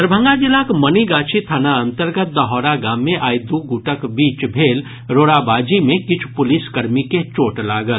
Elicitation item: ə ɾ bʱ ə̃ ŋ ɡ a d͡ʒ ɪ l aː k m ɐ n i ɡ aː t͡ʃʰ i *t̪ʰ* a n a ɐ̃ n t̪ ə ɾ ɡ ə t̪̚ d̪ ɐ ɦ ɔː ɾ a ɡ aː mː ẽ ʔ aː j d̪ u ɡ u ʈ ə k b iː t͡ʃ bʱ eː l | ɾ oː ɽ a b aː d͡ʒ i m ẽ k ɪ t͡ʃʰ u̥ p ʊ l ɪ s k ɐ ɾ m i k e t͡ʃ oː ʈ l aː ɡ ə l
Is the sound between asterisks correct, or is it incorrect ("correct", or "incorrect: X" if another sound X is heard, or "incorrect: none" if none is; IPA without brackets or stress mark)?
correct